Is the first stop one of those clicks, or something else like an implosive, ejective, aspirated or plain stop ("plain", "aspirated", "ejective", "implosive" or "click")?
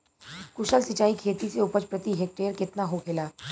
plain